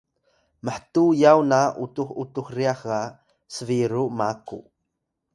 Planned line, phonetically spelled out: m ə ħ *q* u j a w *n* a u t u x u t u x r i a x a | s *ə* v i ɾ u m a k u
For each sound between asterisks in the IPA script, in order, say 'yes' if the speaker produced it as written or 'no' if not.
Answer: no, yes, yes

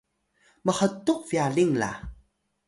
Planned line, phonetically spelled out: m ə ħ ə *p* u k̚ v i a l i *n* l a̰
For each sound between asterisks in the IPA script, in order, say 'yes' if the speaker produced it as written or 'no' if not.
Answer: no, no

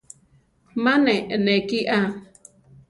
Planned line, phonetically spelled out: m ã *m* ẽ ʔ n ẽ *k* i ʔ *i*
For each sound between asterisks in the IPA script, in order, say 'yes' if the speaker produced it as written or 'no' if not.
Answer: no, yes, no

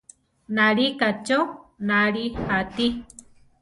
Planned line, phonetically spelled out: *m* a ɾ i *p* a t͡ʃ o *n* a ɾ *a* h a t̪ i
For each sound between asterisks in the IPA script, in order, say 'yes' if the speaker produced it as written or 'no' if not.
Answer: no, no, yes, no

